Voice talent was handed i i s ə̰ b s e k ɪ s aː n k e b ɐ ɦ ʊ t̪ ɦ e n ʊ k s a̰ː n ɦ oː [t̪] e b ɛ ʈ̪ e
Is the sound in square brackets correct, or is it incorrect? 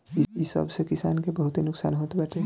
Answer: correct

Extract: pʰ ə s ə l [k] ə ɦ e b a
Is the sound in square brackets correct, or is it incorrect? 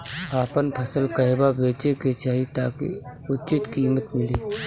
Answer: correct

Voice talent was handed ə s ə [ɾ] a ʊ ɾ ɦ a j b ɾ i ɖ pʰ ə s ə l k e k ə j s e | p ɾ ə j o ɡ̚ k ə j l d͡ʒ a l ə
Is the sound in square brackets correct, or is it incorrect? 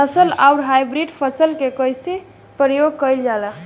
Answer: incorrect: l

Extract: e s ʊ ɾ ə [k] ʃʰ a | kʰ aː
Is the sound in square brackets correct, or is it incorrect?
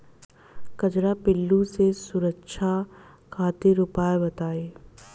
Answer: correct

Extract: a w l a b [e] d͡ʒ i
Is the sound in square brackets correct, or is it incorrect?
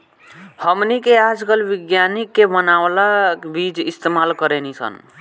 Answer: incorrect: i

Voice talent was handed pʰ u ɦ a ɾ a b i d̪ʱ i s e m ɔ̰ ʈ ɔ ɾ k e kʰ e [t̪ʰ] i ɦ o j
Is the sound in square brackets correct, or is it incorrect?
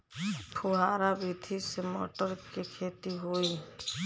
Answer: incorrect: t̪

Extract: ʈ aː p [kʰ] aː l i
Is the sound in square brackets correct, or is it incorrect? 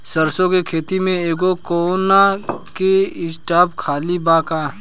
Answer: correct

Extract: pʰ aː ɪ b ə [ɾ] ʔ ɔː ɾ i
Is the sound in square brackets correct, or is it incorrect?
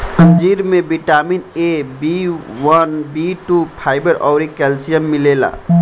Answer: correct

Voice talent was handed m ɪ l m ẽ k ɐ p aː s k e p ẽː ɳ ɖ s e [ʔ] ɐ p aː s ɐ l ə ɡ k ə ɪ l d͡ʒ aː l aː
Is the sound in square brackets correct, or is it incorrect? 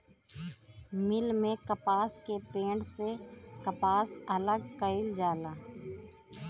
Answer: incorrect: k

